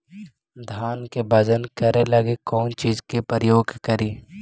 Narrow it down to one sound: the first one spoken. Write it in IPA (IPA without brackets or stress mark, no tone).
d̪ʱ